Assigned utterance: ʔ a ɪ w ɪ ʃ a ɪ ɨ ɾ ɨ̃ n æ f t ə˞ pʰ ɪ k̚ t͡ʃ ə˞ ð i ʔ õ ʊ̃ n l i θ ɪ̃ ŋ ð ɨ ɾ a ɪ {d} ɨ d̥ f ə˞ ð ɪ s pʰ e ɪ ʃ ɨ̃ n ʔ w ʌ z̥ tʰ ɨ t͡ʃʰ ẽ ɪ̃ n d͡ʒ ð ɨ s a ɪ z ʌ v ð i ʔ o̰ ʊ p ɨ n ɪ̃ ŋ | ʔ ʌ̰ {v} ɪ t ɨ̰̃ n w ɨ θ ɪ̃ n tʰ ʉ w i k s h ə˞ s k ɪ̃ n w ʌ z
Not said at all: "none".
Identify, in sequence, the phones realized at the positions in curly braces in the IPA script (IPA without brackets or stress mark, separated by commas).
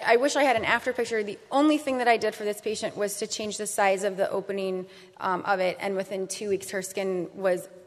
d, v